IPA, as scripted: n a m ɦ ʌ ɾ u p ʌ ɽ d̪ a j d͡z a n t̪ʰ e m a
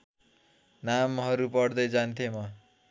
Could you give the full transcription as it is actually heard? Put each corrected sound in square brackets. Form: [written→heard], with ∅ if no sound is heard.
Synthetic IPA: n a m ɦ ʌ ɾ u p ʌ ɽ d̪ [a→ʌ] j d͡z a n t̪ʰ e m [a→ʌ]

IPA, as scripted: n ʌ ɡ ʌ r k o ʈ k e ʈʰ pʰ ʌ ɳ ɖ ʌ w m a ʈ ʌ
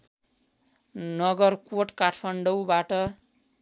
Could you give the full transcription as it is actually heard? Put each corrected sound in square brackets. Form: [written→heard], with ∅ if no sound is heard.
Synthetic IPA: n ʌ ɡ ʌ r k o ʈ k [e→a] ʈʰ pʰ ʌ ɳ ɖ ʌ w [m→b] a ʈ ʌ

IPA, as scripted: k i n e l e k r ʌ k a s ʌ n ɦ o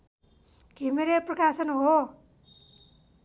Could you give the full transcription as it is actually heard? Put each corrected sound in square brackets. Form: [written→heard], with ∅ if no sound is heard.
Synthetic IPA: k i [n→m] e [l→ɾ] e [k→p] r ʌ k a s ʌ n ɦ o

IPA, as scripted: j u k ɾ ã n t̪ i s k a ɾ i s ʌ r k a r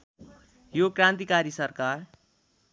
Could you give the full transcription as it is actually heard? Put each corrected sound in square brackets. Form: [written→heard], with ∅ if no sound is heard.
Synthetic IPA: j [u→o] k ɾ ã n t̪ i [s→∅] k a ɾ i s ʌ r k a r

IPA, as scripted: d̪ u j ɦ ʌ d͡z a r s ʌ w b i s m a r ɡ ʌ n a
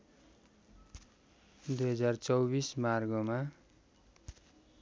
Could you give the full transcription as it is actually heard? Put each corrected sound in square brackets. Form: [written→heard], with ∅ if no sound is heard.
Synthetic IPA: d̪ u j ɦ ʌ d͡z a r [s→t͡s] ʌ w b i s m a r ɡ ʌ [n→m] a

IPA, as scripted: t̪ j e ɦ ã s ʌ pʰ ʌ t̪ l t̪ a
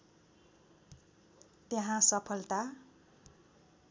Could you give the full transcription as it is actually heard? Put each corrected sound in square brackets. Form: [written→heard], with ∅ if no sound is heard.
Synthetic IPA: t̪ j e ɦ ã s ʌ pʰ ʌ [t̪→∅] l t̪ a

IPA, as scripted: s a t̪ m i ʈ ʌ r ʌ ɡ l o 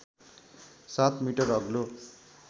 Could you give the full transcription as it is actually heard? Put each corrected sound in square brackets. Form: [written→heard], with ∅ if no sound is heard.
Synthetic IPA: s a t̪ m i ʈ ʌ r ʌ ɡ l o

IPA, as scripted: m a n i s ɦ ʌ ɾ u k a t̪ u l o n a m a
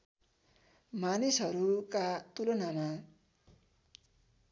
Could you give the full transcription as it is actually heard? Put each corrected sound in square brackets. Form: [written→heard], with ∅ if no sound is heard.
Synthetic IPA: m a n i s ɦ ʌ ɾ u k a t̪ u l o n a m a

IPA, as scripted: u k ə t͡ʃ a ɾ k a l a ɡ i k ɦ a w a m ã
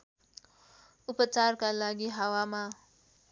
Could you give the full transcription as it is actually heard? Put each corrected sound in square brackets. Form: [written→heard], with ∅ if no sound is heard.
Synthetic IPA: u [k→p] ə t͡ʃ a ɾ k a l a ɡ i [k→∅] ɦ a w a m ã

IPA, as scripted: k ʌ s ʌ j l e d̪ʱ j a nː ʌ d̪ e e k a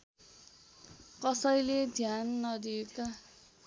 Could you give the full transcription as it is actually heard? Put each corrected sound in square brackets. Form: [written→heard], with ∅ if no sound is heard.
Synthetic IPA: k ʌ s ʌ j l e d̪ʱ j a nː ʌ d̪ [e→i] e k a

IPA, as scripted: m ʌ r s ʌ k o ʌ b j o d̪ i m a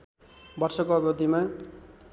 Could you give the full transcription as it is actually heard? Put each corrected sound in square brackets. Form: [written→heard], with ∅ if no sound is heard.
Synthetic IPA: [m→b] ʌ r s ʌ k o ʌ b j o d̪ i m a

